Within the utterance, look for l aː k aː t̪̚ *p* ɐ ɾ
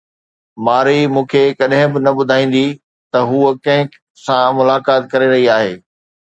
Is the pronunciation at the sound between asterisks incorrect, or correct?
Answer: incorrect: k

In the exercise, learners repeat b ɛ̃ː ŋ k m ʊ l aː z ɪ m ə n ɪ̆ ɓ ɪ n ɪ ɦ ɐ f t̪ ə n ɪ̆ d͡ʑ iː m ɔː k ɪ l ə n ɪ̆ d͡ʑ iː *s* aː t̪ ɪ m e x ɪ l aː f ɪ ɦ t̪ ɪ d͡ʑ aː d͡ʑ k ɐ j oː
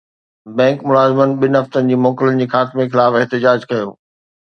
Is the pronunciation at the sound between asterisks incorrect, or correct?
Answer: incorrect: x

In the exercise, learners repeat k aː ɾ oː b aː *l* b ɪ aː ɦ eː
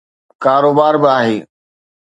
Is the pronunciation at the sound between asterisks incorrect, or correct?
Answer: incorrect: ɾ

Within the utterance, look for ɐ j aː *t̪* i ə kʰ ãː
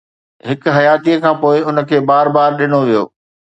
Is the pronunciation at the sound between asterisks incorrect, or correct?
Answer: correct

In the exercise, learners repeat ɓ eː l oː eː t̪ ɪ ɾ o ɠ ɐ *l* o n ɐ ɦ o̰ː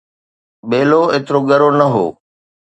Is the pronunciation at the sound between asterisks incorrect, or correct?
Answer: incorrect: ɾ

